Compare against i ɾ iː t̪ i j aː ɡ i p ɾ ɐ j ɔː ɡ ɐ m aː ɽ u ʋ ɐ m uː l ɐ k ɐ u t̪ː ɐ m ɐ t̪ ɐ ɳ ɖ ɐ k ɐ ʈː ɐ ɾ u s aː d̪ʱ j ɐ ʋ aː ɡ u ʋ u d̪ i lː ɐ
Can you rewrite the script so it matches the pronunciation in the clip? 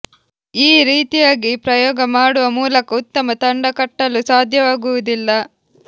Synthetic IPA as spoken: iː ɾ iː t̪ i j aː ɡ i p ɾ ɐ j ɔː ɡ ɐ m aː ɽ u ʋ ɐ m uː l ɐ k ɐ u t̪ː ɐ m ɐ t̪ ɐ ɳ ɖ ɐ k ɐ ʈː ɐ l u s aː d̪ʱ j ɐ ʋ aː ɡ u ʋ u d̪ i lː ɐ

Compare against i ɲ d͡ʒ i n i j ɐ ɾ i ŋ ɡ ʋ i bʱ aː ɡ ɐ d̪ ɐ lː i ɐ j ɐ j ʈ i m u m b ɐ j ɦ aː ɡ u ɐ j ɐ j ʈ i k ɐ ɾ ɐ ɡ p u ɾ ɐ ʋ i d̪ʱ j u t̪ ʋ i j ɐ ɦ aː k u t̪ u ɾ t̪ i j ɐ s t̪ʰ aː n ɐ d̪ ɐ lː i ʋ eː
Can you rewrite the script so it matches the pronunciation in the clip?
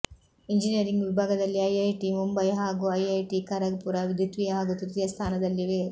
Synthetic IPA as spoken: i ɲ d͡ʒ i n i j ɐ ɾ i ŋ ɡ ʋ i bʱ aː ɡ ɐ d̪ ɐ lː i ɐ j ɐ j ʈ i m u m b ɐ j ɦ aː ɡ u ɐ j ɐ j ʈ i k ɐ ɾ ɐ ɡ p u ɾ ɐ ʋ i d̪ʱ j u t̪ ʋ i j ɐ ɦ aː ɡ u t̪ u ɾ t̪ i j ɐ s t̪ʰ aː n ɐ d̪ ɐ lː i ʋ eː

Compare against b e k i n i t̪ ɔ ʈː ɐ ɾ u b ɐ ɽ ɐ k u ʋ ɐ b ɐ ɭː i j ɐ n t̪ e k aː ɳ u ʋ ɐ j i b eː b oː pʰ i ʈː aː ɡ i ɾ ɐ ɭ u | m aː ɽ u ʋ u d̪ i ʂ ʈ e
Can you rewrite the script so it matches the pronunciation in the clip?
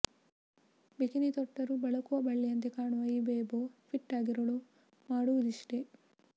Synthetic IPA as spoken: b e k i n i t̪ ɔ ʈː ɐ ɾ u b ɐ ɭ ɐ k u ʋ ɐ b ɐ ɭː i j ɐ n t̪ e k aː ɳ u ʋ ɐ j i b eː b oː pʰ i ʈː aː ɡ i ɾ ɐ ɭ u | m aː ɽ u ʋ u d̪ i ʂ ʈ e

